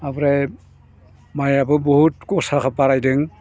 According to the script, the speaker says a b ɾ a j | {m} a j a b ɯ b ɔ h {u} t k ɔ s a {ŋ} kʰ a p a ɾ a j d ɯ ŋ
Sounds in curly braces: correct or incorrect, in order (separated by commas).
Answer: correct, correct, incorrect